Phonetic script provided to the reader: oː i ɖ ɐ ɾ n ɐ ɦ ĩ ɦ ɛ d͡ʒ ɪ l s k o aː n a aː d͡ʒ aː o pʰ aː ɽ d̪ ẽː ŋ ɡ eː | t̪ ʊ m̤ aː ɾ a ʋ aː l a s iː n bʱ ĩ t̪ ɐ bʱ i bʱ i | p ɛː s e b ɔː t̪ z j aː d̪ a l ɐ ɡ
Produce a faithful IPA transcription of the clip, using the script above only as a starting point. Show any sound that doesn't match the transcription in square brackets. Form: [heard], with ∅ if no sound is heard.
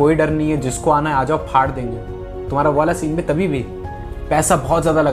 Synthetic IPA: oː i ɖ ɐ ɾ n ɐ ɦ ĩ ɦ ɛ d͡ʒ ɪ [∅] s k o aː n a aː d͡ʒ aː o pʰ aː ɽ d̪ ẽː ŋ ɡ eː | t̪ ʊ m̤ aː ɾ a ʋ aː l a s iː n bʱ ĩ t̪ ɐ bʱ i bʱ i | p ɛː s [a] b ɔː t̪ z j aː d̪ a l ɐ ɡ